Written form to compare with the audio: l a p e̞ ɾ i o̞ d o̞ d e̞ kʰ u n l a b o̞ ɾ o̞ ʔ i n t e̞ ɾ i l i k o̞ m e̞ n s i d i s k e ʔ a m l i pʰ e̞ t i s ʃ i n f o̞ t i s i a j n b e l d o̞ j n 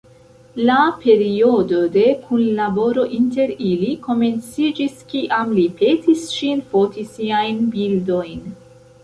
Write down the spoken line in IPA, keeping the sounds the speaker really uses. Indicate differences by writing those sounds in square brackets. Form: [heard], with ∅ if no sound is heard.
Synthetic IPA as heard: l a p e̞ ɾ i o̞ d o̞ d e̞ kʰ u n l a b o̞ ɾ o̞ ʔ i n t e̞ ɾ i l i k o̞ m e̞ n [t͡s] i [d͡ʒ] i s k [i] ʔ a m l i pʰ e̞ t i s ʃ i n f o̞ t i s i a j n b [i] l d o̞ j n